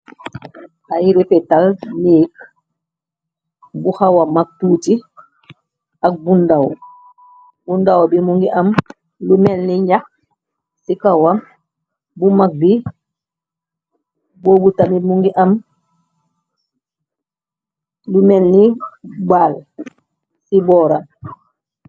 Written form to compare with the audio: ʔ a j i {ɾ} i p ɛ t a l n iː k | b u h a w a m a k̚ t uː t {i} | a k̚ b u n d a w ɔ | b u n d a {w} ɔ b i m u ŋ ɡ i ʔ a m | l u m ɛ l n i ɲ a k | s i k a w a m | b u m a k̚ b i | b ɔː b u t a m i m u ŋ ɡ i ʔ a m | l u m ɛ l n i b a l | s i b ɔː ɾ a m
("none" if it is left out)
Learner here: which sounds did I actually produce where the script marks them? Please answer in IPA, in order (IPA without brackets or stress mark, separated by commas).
ɾ, i, w